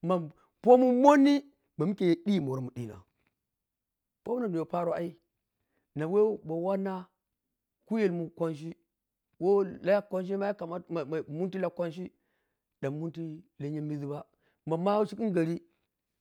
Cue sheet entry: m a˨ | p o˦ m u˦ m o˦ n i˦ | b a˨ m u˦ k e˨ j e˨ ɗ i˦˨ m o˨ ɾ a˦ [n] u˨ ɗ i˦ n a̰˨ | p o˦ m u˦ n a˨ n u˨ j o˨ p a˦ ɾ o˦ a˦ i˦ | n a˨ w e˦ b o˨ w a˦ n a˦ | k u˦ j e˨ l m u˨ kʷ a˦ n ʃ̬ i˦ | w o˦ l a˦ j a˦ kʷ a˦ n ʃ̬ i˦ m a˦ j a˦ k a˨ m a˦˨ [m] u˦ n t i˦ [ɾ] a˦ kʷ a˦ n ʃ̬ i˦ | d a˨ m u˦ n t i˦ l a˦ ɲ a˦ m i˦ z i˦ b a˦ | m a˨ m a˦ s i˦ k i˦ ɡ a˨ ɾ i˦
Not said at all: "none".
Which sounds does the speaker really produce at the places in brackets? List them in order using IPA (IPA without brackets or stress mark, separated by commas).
m, m, l